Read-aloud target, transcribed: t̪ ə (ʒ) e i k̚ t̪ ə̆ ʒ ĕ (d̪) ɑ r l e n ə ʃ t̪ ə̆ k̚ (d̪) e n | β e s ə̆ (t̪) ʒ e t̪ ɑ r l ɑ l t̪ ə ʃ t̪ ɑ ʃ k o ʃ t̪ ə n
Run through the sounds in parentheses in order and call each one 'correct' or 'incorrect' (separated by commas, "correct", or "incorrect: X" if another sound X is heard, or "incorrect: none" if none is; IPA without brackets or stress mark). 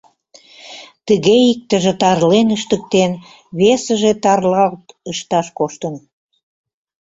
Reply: incorrect: ɣ, incorrect: t̪, incorrect: t̪, incorrect: none